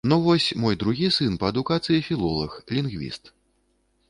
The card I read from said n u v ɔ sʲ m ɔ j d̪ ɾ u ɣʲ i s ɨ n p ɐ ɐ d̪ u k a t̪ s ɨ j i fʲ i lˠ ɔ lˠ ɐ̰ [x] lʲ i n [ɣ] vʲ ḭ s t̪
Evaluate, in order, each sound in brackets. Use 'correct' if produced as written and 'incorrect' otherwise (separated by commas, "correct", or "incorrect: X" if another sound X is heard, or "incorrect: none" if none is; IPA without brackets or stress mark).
correct, correct